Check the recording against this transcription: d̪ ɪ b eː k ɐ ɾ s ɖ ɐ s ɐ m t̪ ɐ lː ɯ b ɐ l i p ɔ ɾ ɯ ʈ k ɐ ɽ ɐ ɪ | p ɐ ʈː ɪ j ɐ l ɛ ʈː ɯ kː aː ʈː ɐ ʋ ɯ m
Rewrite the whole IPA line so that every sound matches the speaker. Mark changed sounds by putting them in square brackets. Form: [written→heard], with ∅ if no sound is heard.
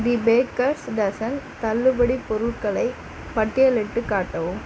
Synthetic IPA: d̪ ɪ b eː k ɐ ɾ s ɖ ɐ s ɐ [m→n] t̪ ɐ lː ɯ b ɐ [l→ɽ] i p ɔ ɾ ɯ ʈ k ɐ [ɽ→ɭ] ɐ ɪ | p ɐ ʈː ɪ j ɐ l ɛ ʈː ɯ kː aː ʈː ɐ ʋ ɯ m

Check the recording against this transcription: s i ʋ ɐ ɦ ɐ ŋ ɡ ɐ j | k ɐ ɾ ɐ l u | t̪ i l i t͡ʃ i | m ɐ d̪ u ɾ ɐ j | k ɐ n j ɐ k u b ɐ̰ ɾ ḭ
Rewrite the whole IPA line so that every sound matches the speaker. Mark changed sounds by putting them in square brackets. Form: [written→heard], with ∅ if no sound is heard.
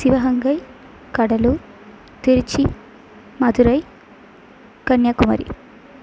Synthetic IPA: s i ʋ ɐ ɦ ɐ ŋ ɡ ɐ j | k ɐ [ɾ→ɽ] ɐ l u | t̪ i [l→ɾ] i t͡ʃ i | m ɐ d̪ u ɾ ɐ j | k ɐ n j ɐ k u [b→m] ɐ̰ ɾ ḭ

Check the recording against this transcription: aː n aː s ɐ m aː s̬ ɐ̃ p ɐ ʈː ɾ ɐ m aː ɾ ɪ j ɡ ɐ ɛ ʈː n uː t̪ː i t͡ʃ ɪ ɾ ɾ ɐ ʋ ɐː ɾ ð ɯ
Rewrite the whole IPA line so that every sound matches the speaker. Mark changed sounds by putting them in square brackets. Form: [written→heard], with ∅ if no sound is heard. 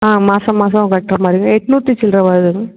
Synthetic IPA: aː [n→m] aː s ɐ m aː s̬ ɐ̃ [p→k] ɐ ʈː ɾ ɐ m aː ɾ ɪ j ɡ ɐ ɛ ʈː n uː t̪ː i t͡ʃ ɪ [ɾ→l] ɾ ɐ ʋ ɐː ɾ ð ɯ

